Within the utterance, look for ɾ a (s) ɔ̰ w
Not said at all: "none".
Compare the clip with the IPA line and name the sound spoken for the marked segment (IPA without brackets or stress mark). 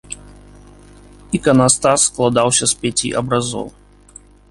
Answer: z